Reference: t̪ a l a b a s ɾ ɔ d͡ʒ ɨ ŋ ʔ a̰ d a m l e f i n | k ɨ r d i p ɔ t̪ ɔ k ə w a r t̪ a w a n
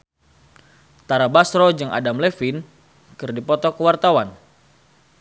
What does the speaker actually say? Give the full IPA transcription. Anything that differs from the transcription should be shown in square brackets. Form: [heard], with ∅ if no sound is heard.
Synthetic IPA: t̪ a [ɾ] a b a s ɾ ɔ d͡ʒ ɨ ŋ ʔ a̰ d a m l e f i n | k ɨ r d i p ɔ t̪ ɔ k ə w a r t̪ a w a n

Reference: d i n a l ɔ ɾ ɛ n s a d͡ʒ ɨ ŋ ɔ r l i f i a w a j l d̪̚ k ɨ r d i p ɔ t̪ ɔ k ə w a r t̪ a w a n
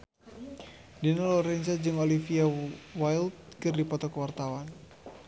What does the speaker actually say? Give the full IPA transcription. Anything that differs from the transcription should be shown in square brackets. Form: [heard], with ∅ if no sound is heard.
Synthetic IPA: d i n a l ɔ ɾ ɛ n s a d͡ʒ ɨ ŋ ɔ [∅] l i f i a w a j l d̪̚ k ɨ r d i p ɔ t̪ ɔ k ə w a r t̪ a w a n

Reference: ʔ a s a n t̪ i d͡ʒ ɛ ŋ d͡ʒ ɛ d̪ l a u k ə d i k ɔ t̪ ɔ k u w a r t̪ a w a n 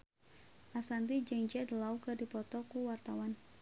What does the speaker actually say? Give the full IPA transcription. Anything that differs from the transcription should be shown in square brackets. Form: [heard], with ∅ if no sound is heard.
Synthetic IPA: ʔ a s a n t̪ i d͡ʒ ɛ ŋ d͡ʒ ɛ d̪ l a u k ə d i [p] ɔ t̪ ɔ k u w a r t̪ a w a n

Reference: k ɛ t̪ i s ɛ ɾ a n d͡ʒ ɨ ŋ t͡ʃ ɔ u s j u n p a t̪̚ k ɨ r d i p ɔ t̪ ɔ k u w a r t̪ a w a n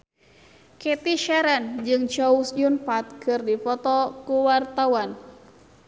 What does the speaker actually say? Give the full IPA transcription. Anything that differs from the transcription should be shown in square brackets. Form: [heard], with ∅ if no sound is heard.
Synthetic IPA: k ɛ t̪ i [ʃ] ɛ ɾ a n d͡ʒ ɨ ŋ t͡ʃ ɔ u s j u n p a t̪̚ k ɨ r d i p ɔ t̪ ɔ k u w a r t̪ a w a n

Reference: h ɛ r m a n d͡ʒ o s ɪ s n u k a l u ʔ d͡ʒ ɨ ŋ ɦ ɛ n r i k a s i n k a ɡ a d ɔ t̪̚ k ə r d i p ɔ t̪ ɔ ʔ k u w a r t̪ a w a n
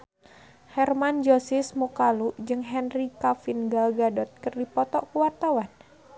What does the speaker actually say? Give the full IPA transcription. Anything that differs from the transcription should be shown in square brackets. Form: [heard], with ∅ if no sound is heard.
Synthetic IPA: h ɛ r m a n d͡ʒ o s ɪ s [m] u k a l u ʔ d͡ʒ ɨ ŋ ɦ ɛ n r i k a [f] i n [ɡ] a ɡ a d ɔ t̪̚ k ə r d i p ɔ t̪ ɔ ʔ k u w a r t̪ a w a n

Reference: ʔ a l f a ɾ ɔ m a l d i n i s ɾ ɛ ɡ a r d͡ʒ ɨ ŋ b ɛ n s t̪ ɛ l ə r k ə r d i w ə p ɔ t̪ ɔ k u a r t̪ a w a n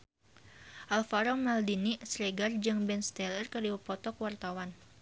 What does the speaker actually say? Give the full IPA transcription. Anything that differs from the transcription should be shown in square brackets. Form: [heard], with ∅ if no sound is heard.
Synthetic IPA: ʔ a l f a ɾ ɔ m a l d i n i s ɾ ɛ ɡ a r d͡ʒ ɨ ŋ b ɛ n s t̪ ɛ l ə r k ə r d i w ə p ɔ t̪ ɔ k [w] a r t̪ a w a n

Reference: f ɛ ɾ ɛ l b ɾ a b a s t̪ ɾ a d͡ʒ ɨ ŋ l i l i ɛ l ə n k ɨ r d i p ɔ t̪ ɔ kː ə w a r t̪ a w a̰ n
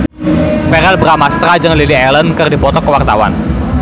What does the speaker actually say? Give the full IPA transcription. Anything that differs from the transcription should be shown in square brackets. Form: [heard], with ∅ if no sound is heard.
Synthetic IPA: f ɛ ɾ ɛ l b ɾ a [m] a s t̪ ɾ a d͡ʒ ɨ ŋ l i l i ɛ l ə n k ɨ r d i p ɔ t̪ ɔ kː ə w a r t̪ a w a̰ n

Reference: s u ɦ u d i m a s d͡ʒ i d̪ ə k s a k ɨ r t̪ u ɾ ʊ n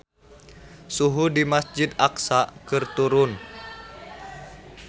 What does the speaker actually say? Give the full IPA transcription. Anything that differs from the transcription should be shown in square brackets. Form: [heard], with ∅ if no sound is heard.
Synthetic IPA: s u ɦ u d i m a s d͡ʒ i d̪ [a] k s a k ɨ r t̪ u ɾ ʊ n

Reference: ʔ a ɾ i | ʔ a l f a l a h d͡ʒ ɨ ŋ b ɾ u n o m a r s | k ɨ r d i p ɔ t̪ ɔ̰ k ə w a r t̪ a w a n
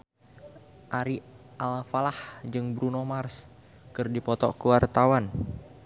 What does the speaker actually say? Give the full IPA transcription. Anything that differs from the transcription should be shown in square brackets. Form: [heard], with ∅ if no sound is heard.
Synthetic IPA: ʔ a ɾ i | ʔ a l f a l a h d͡ʒ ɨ ŋ b ɾ u n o m a r s | k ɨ r d i p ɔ t̪ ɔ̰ k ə w a r t̪ a w a n

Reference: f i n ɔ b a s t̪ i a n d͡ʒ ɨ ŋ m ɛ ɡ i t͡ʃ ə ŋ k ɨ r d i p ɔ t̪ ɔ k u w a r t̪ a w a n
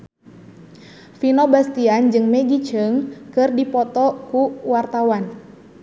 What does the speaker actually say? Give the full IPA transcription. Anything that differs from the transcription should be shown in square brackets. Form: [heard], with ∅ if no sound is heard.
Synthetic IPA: f i n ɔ b a s t̪ i a n d͡ʒ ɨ ŋ m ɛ ɡ i t͡ʃ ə ŋ k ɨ r d i p ɔ t̪ ɔ k u w a r t̪ a w a n

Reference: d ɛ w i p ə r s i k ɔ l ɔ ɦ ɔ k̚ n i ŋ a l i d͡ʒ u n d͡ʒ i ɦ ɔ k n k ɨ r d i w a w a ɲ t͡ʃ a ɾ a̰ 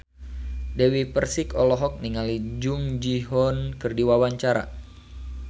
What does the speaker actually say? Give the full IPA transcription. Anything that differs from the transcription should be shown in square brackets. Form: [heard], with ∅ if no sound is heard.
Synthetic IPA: d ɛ w i p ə r s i k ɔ l ɔ ɦ ɔ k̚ n i ŋ a l i d͡ʒ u [ŋ] d͡ʒ i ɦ ɔ [∅] n k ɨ r d i w a w a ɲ t͡ʃ a ɾ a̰

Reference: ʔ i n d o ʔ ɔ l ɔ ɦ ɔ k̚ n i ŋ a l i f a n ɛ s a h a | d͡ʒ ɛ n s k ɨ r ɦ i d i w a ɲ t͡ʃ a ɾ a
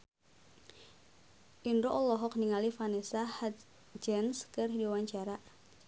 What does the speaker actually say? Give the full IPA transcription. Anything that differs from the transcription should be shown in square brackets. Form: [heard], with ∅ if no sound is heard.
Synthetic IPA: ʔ i n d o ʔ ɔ l ɔ ɦ ɔ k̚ n i ŋ a l i f a n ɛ s a h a | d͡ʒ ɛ n s k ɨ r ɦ i d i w a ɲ t͡ʃ a ɾ a

